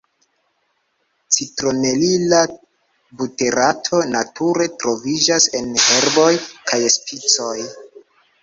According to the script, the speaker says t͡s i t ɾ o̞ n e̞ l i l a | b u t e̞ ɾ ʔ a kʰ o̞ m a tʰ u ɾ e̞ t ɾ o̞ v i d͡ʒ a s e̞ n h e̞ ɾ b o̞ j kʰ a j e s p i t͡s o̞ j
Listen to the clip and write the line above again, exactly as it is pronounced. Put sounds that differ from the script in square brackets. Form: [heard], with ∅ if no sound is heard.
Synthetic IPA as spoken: t͡s i t ɾ o̞ n e̞ l i l a | b u t e̞ ɾ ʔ a [tʰ] o̞ [n] a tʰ u ɾ e̞ t ɾ o̞ v i d͡ʒ a s e̞ n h e̞ ɾ b o̞ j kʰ a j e s p i t͡s o̞ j